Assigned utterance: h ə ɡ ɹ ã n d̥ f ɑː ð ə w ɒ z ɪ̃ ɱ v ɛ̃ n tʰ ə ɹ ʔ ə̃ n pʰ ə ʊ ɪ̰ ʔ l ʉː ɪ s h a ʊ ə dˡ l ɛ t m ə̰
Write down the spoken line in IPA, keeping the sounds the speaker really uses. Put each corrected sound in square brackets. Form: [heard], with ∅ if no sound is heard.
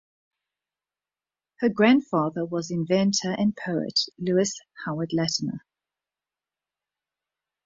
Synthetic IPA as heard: h ə ɡ ɹ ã n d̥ f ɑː ð ə w ɒ z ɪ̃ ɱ v ɛ̃ n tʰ ə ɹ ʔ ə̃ n pʰ ə ʊ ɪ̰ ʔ l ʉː ɪ s h a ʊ ə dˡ l ɛ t [n] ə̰